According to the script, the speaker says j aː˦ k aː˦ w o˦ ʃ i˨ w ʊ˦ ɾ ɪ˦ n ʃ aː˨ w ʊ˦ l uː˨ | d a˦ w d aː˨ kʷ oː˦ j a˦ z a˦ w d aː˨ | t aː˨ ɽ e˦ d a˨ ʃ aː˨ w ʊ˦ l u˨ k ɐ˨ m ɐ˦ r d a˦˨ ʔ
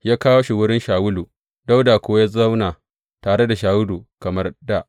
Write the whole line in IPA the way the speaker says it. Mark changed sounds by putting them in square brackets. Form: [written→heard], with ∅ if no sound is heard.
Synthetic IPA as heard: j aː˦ k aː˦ w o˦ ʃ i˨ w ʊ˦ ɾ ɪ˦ n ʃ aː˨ w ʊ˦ l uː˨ | d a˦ w d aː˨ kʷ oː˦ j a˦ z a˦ w [d→n] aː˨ | t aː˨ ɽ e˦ d a˨ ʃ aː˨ w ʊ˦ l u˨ k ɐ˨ m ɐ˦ r d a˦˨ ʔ